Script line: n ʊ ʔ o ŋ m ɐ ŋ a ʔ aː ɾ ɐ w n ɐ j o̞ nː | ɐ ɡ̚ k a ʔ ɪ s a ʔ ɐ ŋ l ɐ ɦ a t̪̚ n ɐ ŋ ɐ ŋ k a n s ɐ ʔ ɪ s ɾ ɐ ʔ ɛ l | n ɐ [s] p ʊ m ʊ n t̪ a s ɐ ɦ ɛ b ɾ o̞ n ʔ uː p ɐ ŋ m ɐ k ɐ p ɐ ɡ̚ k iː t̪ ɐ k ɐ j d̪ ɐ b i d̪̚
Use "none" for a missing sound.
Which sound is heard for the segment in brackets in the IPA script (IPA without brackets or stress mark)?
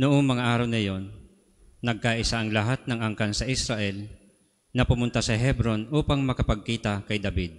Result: none